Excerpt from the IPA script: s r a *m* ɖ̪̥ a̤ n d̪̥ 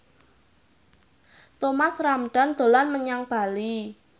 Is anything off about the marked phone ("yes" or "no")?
no